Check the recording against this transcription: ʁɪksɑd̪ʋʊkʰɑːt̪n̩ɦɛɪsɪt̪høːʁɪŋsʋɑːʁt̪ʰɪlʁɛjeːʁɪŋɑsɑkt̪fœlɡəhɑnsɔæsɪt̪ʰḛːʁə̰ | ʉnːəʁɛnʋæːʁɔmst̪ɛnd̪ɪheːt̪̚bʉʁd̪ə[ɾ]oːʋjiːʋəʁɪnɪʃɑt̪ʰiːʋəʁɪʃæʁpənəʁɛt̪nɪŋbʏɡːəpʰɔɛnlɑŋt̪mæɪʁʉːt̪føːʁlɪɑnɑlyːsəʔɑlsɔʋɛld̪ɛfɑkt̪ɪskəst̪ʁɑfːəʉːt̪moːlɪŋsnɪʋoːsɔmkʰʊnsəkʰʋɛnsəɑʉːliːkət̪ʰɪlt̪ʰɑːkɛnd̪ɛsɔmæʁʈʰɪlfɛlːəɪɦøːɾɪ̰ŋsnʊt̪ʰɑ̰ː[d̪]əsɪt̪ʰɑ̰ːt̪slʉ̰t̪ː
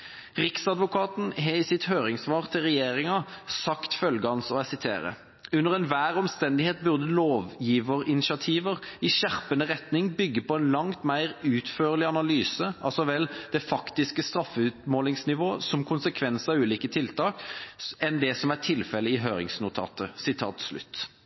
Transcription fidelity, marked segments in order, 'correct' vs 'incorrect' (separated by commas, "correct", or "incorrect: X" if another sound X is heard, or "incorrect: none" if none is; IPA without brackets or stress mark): incorrect: l, incorrect: t̪